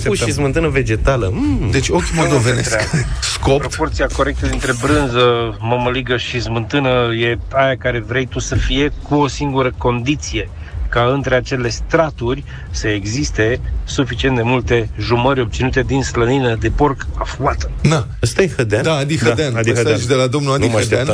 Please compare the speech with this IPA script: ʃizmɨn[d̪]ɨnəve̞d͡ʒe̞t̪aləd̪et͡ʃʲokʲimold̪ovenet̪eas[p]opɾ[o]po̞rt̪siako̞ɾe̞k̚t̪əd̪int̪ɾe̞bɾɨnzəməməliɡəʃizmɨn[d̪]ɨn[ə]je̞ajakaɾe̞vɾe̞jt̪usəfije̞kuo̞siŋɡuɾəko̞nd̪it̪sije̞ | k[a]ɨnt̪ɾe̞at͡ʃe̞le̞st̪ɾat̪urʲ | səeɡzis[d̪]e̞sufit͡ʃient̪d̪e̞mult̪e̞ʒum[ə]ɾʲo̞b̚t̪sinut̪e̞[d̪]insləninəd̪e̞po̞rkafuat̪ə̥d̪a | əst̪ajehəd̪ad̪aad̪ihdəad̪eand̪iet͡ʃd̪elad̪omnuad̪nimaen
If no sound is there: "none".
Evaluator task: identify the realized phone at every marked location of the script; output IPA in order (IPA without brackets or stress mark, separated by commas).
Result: t̪, k, o, t̪, ə, a, t̪, ə, d̪